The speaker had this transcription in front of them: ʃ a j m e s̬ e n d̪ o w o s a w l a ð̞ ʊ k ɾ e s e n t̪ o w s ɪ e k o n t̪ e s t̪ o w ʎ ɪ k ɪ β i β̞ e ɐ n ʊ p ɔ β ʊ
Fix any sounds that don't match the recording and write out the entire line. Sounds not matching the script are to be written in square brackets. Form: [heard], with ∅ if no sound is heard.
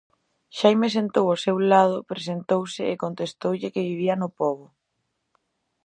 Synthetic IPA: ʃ a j m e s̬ e n [t̪] o w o s [e] w l a ð̞ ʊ [p] ɾ e s e n t̪ o w s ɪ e k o n t̪ e s t̪ o w ʎ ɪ k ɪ β i β̞ [i] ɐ n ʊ p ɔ β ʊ

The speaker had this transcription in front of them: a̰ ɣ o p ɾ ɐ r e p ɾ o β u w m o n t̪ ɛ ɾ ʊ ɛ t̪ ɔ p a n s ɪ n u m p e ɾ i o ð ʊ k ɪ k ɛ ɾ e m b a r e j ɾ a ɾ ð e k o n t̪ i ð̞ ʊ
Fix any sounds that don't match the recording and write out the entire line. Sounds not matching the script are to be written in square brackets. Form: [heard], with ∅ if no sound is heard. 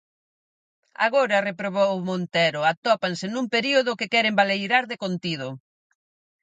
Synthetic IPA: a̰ ɣ o [∅] ɾ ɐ r e p ɾ o β [o] w m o n t̪ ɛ ɾ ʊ [a] t̪ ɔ p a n s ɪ n u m p e ɾ i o ð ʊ k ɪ k ɛ ɾ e m b a [l] e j ɾ a ɾ ð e k o n t̪ i ð̞ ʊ

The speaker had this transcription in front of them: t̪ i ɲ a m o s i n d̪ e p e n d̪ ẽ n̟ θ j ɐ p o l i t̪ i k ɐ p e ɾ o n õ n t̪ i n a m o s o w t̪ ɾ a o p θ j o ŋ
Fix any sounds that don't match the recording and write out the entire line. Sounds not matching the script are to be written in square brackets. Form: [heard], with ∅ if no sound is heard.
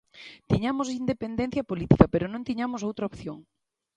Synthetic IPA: t̪ i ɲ a m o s i n d̪ e p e n d̪ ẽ n̟ θ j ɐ p o l i t̪ i k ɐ p e ɾ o n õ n t̪ i [ɲ] a m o s o w t̪ ɾ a o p θ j o ŋ

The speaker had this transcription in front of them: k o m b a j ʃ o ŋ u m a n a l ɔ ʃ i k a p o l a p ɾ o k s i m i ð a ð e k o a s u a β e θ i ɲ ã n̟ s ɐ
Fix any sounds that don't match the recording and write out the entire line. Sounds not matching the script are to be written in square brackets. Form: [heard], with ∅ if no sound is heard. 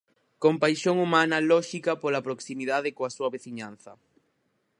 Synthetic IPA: k o m [p] a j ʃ o ŋ u m a n a l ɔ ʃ i k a p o l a p ɾ o k s i m i ð a ð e k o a s u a β e θ i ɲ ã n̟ [θ] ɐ

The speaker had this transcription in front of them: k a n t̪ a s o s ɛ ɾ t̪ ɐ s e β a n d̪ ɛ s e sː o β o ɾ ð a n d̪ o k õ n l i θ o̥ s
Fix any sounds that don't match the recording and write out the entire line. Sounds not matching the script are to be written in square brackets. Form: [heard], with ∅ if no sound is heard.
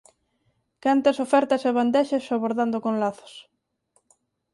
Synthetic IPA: k a n t̪ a s o [f] ɛ ɾ t̪ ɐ s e β a n d̪ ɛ [ʃ] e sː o β o ɾ ð a n d̪ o k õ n l [a] θ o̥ s

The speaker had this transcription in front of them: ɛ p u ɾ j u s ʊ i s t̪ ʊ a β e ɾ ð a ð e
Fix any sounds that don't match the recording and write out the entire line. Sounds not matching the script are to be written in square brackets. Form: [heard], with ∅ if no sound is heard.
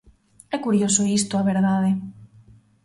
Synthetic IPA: ɛ [k] u ɾ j [o] s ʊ i s t̪ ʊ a β e ɾ ð a ð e

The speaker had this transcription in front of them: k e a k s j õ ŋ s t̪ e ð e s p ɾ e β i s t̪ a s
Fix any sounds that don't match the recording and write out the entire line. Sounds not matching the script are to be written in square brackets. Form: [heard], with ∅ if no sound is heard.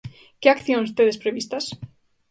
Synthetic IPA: k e a k [θ] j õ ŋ s t̪ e ð e s p ɾ e β i s t̪ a s

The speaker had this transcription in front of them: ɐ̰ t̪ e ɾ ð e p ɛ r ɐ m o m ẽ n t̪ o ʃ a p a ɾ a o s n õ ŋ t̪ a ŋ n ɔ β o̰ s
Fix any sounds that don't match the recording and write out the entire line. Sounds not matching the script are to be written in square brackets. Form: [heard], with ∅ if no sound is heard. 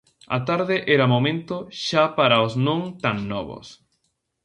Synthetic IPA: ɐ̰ t̪ [a] ɾ ð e [ʔ] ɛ [ɾ] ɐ m o m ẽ n t̪ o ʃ a p a ɾ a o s n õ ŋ t̪ a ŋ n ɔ β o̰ s

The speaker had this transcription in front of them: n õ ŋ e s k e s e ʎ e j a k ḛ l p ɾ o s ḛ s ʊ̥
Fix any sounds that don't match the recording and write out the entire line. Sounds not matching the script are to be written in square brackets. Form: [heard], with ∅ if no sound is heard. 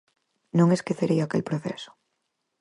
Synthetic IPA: n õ ŋ e s k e [θ] e [ɾ] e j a k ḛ l p ɾ o [θ] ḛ s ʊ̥

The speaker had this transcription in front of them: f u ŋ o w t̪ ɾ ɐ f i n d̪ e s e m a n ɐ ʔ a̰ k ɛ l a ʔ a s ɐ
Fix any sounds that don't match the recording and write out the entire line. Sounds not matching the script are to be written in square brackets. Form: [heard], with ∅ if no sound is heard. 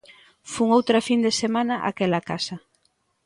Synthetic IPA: f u ŋ o w t̪ ɾ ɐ f i n d̪ e s e m a n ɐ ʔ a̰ k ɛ l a [k] a s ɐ

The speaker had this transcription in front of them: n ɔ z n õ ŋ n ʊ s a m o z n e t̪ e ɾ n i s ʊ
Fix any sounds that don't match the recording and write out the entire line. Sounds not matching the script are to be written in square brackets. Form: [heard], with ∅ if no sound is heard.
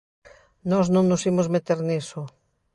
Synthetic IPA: n ɔ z n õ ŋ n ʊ s [i] m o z [m] e t̪ e ɾ n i s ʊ

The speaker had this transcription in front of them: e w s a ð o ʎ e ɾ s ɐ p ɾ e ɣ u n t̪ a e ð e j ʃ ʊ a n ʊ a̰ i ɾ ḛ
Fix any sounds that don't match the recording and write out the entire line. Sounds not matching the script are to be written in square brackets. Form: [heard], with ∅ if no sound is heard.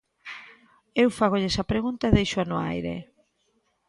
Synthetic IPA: e w [f] a [ɣ] o ʎ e [∅] s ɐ p ɾ e ɣ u n t̪ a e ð e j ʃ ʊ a n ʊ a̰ [j] ɾ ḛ

